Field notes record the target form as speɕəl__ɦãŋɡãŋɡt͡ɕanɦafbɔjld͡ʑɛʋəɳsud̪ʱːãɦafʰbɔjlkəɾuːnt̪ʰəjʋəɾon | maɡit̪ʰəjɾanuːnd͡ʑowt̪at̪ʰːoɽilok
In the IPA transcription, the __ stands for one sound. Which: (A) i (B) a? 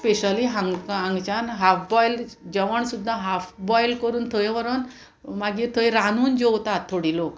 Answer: A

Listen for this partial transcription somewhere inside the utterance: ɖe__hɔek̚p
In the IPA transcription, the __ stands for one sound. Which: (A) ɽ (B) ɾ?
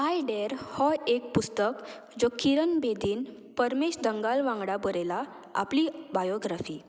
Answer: B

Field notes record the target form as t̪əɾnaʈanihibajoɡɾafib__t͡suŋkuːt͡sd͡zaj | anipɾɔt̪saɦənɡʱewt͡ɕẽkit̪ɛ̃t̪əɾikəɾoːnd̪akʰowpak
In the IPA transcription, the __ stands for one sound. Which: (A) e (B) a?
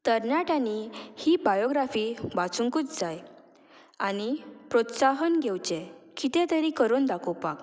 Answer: B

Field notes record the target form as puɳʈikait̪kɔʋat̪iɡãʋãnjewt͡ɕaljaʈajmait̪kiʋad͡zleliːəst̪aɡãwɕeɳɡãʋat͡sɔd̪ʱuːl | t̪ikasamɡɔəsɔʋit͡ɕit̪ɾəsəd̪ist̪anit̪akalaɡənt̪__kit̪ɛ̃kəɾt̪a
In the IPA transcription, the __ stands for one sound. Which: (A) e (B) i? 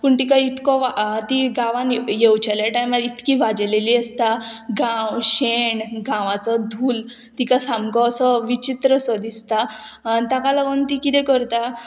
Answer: B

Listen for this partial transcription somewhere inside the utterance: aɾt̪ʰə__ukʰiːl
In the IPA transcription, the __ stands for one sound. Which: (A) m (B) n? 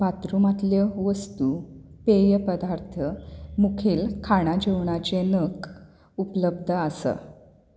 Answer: A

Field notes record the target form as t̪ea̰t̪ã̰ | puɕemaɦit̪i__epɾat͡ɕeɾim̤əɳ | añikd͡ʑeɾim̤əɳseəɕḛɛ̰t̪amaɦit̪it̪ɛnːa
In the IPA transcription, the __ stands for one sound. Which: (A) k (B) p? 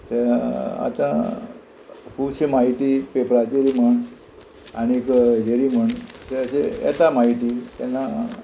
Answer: B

